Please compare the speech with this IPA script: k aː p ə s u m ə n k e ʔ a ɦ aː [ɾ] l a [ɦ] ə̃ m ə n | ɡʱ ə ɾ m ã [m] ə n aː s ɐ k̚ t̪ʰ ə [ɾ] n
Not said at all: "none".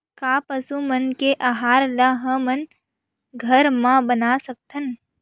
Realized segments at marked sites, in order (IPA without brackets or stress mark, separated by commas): ɾ, ɦ, b, none